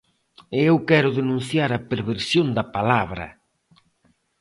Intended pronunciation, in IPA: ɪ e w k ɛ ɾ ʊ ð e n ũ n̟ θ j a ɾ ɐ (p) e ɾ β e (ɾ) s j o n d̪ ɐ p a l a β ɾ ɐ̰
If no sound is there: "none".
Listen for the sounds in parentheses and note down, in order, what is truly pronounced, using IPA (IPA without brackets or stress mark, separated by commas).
p, ɾ